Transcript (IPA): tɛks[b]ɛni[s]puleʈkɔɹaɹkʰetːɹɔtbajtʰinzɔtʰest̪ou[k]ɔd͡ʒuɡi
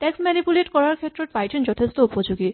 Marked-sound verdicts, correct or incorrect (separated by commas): incorrect, incorrect, incorrect